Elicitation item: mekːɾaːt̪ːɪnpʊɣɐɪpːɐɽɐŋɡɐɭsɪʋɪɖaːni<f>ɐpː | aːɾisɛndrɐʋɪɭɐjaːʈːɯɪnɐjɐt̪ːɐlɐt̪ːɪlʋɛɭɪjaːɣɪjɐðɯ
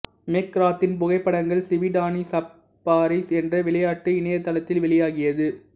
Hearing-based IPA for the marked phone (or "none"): s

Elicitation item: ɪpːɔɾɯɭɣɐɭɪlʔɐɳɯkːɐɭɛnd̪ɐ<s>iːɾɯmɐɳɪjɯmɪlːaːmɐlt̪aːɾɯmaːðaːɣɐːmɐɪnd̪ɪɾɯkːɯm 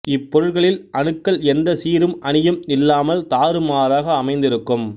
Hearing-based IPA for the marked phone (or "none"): s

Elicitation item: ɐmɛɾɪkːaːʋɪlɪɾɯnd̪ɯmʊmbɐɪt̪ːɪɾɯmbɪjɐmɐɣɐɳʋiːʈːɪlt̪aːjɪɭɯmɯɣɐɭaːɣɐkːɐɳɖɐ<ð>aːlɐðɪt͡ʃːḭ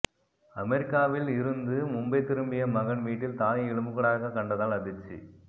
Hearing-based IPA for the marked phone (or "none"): ð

